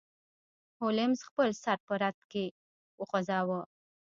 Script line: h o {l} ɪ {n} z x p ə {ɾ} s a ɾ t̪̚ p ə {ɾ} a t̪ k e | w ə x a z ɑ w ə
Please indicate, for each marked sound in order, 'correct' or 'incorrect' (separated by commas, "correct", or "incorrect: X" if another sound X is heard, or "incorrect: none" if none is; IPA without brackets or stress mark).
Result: correct, incorrect: m, incorrect: l, correct